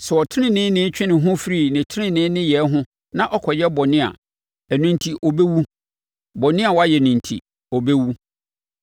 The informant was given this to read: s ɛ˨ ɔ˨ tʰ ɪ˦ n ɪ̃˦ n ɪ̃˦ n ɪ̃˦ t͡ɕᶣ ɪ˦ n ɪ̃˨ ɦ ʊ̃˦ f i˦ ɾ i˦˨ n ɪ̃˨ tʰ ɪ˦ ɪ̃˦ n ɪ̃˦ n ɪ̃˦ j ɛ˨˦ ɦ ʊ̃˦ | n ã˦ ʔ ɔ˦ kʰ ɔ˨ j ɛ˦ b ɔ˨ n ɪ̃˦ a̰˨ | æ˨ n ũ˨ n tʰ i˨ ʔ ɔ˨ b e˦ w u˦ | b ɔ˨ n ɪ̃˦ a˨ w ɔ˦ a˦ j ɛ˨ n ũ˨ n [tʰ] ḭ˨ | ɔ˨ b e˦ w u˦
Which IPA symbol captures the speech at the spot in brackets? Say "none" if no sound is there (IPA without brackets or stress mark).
tʰ